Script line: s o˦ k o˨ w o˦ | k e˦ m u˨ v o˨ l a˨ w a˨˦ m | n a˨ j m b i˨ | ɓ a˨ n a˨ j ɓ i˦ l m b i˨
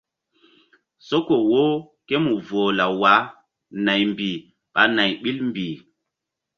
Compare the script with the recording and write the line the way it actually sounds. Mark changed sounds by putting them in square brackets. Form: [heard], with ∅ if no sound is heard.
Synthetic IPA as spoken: s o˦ k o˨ w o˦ | k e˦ m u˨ v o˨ l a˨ w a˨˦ [∅] | n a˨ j m b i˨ | ɓ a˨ n a˨ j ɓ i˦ l m b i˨